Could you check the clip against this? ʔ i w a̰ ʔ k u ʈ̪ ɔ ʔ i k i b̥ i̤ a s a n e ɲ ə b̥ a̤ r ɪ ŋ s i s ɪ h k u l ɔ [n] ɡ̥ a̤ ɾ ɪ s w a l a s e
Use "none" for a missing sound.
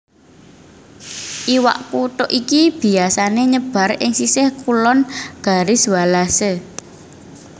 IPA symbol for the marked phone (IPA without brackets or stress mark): n